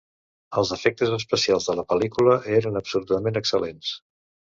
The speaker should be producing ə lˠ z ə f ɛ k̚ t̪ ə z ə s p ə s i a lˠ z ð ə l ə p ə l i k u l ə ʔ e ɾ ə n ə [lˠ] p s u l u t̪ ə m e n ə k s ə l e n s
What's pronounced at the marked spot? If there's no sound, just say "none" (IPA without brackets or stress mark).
none